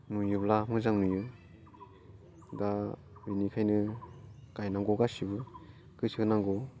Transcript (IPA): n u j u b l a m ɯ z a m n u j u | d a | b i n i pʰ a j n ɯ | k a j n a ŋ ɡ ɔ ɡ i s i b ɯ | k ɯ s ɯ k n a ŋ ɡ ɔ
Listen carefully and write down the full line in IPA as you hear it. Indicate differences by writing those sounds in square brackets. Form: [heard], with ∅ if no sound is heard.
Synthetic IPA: n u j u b l a m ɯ z a [ŋ] n u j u | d a | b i n i [kʰ] a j n ɯ | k a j n a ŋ ɡ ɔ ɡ [a] s i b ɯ | k ɯ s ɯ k n a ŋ ɡ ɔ